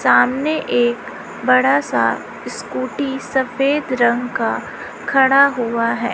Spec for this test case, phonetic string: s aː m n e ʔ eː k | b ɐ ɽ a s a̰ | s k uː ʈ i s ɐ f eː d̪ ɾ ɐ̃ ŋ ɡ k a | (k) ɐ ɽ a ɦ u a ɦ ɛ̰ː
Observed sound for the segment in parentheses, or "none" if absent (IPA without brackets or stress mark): kʰ